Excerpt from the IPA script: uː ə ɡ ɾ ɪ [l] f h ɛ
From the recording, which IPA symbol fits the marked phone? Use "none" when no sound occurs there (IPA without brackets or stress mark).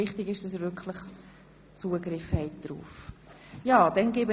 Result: none